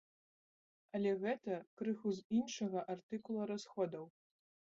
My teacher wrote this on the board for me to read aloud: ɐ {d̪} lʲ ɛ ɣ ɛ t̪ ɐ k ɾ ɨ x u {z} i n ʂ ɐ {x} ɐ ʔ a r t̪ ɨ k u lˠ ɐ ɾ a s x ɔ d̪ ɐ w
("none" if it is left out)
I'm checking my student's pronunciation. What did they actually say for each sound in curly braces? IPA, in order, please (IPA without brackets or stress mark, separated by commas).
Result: none, z, ɣ